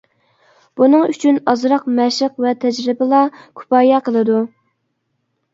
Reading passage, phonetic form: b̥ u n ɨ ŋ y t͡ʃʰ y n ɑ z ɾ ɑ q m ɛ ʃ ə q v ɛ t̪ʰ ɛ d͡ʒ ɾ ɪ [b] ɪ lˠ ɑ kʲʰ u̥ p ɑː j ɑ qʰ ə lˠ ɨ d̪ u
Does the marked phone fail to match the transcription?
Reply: no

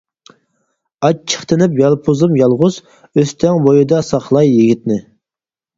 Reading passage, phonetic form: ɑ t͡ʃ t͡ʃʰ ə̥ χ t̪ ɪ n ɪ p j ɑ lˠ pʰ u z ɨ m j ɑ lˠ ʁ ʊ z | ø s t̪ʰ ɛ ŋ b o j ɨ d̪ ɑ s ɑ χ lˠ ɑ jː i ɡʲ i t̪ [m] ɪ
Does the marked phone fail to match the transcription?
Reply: yes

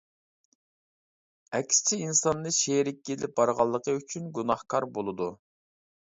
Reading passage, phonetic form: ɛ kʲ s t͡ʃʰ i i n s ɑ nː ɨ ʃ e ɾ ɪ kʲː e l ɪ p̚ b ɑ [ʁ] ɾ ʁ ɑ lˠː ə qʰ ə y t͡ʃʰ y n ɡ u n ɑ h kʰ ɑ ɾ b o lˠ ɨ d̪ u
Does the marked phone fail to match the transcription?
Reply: yes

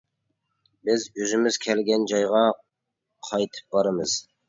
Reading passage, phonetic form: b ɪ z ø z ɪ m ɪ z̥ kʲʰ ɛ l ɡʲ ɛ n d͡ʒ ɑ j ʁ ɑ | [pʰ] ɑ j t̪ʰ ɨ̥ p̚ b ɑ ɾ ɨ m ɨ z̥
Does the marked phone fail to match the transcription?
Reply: yes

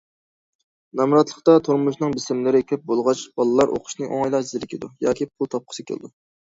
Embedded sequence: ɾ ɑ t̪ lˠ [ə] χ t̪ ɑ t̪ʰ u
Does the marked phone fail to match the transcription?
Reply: no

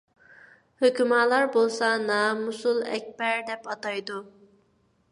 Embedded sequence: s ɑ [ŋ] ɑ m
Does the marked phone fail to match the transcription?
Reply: yes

